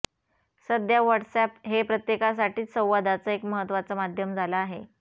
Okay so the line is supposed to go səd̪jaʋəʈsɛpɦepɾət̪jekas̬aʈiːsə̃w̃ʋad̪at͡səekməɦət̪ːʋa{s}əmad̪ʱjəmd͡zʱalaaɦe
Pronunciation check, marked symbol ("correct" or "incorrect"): incorrect